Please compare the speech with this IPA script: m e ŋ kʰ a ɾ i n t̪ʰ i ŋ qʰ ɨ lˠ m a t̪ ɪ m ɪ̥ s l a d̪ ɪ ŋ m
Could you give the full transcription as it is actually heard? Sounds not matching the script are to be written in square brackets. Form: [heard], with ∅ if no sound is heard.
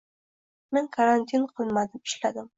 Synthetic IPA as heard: m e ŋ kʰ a ɾ [a] n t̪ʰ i [n] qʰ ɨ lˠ m a [d̪] ɪ m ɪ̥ [ʃ] l a d̪ ɪ [∅] m